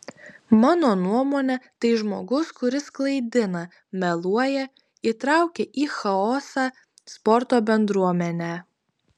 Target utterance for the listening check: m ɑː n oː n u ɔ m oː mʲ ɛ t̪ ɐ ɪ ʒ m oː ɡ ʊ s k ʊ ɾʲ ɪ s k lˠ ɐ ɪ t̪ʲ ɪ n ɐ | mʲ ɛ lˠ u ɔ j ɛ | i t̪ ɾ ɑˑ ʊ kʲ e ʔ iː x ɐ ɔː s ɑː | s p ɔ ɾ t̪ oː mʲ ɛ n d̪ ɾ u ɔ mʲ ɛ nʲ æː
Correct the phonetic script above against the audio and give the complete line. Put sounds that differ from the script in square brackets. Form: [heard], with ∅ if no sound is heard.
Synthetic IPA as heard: m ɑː n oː n u ɔ m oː [nʲ] ɛ t̪ ɐ ɪ ʒ m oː ɡ ʊ s k ʊ ɾʲ ɪ s k lˠ ɐ ɪ [d̪ʲ] ɪ n ɐ | mʲ ɛ lˠ u ɔ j ɛ | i t̪ ɾ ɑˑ ʊ kʲ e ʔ iː x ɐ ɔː s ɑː | s p ɔ ɾ t̪ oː [bʲ] ɛ n d̪ ɾ u ɔ mʲ ɛ nʲ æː